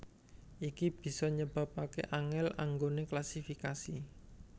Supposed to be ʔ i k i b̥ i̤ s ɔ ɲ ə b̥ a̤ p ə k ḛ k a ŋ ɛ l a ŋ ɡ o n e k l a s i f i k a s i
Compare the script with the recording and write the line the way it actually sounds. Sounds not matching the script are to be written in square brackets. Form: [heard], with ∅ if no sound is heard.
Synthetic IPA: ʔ i k i b̥ i̤ s ɔ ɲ ə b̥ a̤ p [a] k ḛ [ʔ] a ŋ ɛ l a ŋ ɡ o n e k l a s i f i k a s i